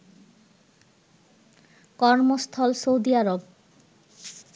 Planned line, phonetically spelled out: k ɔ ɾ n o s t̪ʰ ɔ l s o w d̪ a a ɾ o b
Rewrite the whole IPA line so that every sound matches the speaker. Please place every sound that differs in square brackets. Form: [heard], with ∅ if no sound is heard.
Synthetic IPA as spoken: k ɔ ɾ [m] o s t̪ʰ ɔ l s o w d̪ [i] a ɾ o b